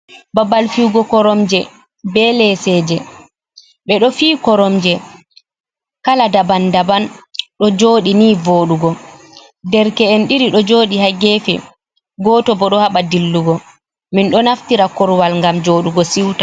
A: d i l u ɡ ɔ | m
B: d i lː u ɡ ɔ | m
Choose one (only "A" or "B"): B